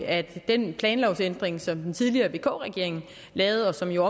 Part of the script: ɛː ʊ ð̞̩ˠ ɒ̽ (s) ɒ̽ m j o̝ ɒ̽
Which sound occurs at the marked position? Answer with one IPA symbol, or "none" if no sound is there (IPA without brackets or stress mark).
s